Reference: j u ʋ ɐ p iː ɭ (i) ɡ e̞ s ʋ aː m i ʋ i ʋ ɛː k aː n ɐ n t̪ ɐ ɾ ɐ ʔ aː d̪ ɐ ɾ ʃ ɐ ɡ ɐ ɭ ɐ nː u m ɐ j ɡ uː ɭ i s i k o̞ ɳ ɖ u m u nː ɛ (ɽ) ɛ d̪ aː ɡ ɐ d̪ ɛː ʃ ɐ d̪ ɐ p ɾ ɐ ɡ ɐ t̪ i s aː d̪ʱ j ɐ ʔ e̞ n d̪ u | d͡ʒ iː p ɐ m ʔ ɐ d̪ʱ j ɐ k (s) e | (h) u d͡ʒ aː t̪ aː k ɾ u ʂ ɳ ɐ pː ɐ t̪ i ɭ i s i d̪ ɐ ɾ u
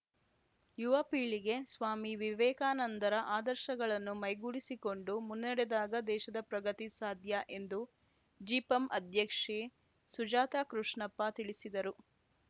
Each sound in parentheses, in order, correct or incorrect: correct, correct, incorrect, incorrect

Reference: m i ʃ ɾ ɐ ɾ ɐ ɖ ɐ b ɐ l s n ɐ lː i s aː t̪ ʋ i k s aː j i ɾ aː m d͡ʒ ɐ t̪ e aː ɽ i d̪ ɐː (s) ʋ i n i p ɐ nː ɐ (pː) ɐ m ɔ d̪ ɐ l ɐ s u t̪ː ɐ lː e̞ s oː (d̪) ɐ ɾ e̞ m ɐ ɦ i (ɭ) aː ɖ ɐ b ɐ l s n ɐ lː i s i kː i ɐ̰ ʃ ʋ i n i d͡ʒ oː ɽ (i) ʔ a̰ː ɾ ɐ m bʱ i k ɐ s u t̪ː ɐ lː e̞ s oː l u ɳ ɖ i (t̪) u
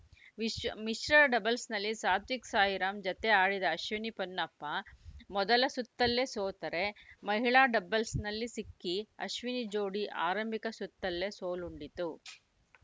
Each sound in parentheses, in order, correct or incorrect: incorrect, correct, incorrect, correct, correct, correct

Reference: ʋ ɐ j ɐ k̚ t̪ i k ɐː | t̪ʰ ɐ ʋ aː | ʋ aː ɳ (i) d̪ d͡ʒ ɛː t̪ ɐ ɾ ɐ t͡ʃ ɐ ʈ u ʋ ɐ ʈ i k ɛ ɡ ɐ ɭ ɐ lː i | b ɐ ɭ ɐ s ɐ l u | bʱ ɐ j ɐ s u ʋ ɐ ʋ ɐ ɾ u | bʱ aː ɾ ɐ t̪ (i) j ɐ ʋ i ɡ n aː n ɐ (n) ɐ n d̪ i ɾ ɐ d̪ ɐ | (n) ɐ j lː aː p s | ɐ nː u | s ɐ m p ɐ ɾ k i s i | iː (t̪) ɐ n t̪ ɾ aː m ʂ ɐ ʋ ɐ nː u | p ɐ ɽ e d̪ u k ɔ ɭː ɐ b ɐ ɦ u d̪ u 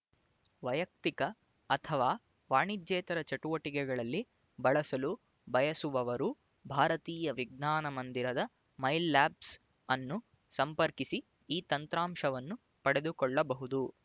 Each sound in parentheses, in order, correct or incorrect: correct, incorrect, incorrect, incorrect, correct

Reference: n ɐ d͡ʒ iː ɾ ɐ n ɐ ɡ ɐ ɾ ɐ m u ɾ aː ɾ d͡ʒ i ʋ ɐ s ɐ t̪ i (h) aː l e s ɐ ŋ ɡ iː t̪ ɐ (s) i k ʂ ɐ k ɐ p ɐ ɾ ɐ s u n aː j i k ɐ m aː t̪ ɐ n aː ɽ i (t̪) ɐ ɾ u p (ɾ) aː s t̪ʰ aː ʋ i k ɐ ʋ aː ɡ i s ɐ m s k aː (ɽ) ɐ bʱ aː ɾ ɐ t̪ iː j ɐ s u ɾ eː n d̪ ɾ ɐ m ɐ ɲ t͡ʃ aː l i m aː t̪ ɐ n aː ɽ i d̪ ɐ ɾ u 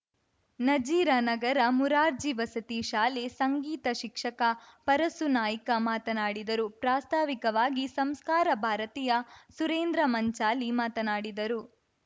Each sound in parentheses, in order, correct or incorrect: incorrect, incorrect, incorrect, correct, incorrect

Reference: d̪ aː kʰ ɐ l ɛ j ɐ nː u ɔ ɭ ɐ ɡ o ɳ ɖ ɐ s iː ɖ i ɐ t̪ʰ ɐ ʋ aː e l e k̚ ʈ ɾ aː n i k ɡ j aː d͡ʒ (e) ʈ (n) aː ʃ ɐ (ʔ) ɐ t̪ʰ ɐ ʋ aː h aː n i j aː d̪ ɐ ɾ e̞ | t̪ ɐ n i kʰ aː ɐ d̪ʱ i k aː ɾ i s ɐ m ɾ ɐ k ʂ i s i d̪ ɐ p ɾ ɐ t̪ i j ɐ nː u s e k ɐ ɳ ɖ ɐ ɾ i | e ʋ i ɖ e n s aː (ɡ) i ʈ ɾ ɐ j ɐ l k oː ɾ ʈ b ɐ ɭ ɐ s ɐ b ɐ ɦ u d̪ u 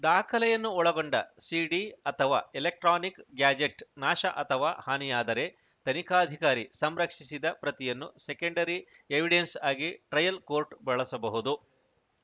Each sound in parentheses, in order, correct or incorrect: correct, correct, correct, correct

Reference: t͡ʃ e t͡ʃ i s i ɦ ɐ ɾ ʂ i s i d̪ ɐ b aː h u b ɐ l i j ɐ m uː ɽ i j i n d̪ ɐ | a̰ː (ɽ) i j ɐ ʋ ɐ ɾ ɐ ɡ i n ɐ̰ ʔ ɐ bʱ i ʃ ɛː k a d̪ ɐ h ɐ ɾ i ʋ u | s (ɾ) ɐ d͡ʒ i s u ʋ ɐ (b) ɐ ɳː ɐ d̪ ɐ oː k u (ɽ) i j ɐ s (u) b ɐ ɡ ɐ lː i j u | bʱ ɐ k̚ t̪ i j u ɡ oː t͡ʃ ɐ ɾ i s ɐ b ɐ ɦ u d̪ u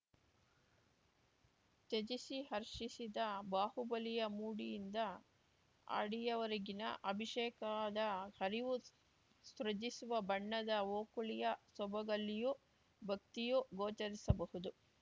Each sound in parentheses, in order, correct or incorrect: correct, correct, correct, incorrect, incorrect

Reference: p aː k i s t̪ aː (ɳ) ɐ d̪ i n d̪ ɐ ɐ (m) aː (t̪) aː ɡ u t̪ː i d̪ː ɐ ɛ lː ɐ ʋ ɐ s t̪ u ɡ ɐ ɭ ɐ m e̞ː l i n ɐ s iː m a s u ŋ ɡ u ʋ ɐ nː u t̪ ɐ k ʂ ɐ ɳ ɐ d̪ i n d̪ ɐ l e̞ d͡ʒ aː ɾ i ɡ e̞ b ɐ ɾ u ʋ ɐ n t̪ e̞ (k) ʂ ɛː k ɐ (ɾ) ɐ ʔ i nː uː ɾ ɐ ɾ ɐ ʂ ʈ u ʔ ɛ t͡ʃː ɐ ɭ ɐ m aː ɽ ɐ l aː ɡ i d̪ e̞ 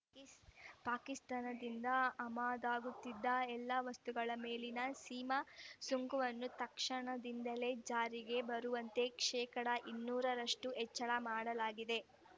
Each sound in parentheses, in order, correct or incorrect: incorrect, correct, incorrect, correct, incorrect

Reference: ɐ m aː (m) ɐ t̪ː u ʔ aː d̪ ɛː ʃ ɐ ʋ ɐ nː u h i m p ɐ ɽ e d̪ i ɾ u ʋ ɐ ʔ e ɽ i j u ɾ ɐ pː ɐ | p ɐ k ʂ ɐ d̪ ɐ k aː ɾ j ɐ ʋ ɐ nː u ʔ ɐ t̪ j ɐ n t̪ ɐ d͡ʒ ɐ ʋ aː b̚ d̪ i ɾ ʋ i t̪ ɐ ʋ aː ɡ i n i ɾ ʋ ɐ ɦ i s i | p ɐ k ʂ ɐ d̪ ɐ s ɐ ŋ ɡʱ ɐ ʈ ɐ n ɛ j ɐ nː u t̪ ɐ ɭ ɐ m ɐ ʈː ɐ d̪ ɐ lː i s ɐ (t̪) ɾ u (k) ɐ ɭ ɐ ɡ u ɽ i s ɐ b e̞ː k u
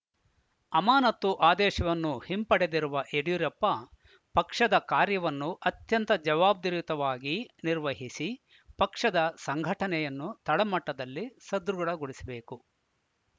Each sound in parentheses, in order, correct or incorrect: incorrect, incorrect, incorrect

